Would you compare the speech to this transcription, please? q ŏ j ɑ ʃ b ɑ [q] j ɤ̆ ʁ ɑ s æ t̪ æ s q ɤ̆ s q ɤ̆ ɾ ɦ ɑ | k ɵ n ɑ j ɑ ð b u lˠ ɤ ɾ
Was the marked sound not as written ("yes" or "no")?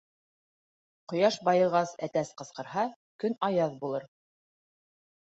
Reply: yes